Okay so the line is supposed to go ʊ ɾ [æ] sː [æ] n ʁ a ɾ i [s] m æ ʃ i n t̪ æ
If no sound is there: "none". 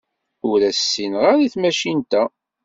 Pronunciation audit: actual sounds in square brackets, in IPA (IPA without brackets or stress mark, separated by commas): æ, i, θ